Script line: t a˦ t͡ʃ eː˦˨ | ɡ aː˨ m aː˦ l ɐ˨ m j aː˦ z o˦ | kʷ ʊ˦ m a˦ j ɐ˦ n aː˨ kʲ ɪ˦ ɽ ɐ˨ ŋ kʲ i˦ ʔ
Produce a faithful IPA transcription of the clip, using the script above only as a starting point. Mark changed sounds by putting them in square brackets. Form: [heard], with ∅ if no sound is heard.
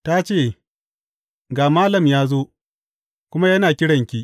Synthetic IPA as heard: t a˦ t͡ʃ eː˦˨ | ɡ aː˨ m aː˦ l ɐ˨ m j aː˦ z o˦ | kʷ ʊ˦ m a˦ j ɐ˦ n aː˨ kʲ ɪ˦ ɽ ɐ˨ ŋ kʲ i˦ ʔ